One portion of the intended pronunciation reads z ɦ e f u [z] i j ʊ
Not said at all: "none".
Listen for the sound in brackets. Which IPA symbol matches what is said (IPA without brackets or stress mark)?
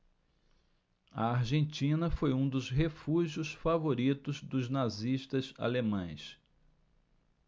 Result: ʒ